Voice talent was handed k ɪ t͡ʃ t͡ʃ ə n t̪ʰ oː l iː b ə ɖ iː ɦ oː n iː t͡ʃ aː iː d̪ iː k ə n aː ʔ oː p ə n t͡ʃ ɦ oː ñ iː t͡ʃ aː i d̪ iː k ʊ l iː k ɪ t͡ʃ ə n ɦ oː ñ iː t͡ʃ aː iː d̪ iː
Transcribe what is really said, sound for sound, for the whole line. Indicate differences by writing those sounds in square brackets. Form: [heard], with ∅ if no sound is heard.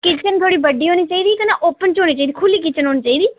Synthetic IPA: k ɪ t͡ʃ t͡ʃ ə n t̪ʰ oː [ɽ] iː b ə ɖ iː ɦ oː n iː t͡ʃ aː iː d̪ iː k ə n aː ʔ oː p ə n t͡ʃ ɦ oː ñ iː t͡ʃ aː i d̪ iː [kʰ] ʊ l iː k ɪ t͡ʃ ə n ɦ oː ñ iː t͡ʃ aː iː d̪ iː